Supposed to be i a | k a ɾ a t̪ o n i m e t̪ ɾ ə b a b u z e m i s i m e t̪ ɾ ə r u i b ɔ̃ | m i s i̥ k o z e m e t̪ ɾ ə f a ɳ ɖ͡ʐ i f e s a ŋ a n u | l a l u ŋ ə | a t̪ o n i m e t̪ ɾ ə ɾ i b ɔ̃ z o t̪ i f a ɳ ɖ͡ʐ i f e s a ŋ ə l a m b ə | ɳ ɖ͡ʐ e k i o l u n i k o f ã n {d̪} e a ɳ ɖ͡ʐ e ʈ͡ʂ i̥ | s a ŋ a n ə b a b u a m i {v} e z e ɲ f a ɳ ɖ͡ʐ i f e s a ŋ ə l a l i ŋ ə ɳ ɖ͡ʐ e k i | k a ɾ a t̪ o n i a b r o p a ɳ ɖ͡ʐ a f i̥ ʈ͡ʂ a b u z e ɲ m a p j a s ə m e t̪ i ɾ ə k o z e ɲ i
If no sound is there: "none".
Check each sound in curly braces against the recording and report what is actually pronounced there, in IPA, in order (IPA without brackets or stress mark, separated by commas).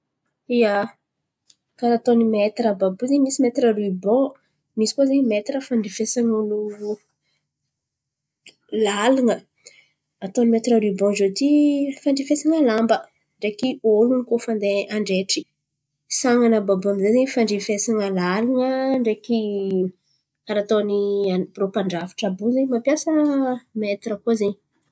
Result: d̪, z